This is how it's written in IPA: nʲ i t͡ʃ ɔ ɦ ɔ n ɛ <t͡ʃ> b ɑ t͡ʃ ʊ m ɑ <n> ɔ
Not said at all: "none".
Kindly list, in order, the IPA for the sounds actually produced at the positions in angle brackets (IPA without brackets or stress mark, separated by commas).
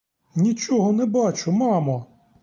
none, m